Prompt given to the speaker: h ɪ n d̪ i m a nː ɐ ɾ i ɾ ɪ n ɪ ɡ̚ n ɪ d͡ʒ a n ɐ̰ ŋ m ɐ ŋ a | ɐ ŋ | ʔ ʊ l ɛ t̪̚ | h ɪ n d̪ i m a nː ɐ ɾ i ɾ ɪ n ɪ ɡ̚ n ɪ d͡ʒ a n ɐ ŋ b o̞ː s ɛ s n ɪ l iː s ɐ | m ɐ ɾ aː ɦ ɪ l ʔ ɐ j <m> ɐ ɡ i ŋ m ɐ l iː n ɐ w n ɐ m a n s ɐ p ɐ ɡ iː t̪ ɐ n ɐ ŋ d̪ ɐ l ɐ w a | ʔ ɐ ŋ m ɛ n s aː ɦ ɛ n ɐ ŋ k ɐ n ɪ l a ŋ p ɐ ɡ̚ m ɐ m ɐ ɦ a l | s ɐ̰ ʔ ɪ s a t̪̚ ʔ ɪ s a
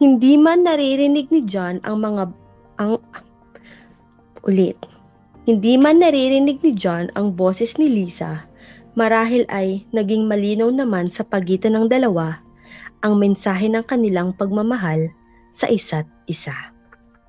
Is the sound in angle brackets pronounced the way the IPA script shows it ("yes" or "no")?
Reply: no